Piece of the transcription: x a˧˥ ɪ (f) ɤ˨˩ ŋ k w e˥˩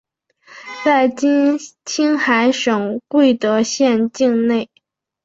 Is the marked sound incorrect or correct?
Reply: incorrect: ʂ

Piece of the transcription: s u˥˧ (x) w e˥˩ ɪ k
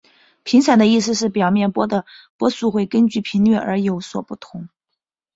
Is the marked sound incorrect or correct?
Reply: correct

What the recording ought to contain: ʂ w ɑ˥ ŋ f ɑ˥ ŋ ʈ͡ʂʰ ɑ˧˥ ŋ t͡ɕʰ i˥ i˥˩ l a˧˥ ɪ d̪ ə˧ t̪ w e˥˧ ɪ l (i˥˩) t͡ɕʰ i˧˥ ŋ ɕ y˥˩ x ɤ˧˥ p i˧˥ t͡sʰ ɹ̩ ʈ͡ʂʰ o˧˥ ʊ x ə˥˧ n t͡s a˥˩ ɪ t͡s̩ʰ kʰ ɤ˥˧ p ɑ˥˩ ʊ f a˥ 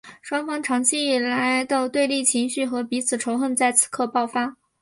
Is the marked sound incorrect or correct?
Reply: correct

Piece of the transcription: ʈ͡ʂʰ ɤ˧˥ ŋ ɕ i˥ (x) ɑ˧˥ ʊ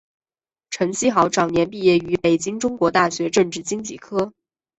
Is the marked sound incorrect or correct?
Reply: correct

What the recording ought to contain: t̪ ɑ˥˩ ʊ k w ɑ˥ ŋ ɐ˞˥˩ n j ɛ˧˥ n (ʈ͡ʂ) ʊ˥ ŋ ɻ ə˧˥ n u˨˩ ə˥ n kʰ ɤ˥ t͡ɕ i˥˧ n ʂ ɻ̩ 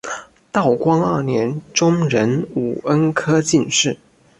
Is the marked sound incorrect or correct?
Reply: correct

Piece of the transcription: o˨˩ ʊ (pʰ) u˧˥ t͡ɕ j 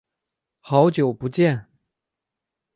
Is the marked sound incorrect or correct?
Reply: incorrect: p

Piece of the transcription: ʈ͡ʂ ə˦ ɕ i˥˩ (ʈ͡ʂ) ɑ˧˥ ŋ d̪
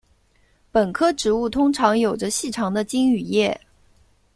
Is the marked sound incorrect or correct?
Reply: incorrect: ʈ͡ʂʰ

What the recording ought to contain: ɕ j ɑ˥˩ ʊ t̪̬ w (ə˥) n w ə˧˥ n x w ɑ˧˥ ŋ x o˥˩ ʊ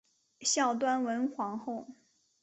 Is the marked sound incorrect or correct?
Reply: incorrect: a˥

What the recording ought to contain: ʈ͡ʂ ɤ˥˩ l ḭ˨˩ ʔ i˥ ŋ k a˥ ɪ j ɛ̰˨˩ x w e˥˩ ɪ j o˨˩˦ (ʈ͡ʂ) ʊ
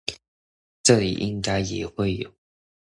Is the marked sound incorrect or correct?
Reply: incorrect: none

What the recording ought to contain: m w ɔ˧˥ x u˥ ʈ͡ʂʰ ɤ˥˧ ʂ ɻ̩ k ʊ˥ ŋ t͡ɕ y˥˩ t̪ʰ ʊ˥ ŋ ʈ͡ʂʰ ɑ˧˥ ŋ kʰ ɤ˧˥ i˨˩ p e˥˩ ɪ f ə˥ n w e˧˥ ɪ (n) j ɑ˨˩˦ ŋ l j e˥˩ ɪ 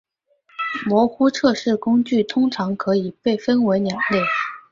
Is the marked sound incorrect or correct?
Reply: correct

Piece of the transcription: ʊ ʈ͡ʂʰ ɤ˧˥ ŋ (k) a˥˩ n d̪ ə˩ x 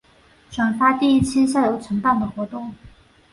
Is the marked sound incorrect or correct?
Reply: incorrect: p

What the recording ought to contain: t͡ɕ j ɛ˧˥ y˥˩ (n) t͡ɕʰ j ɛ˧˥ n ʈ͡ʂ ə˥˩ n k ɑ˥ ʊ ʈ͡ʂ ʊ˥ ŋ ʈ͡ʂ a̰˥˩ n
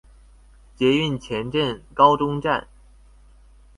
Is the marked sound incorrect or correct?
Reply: correct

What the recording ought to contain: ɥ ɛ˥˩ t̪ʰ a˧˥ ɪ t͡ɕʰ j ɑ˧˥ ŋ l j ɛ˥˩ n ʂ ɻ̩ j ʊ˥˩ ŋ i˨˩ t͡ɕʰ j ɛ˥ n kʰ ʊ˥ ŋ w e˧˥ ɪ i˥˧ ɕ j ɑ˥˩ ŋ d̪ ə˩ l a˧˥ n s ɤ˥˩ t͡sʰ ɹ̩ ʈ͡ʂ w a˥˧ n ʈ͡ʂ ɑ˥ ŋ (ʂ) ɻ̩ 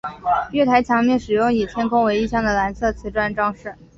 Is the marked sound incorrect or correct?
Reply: correct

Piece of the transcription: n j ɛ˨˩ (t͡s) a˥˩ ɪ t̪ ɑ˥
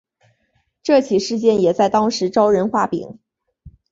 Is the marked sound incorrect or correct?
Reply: correct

